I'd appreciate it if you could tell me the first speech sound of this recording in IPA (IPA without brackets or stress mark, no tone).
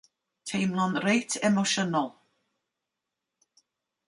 tʰ